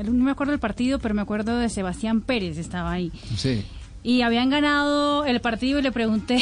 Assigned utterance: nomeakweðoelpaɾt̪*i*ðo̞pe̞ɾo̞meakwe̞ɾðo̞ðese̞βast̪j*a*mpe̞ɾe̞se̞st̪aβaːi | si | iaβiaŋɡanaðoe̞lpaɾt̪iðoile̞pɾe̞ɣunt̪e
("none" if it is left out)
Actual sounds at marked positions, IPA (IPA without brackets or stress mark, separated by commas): i, a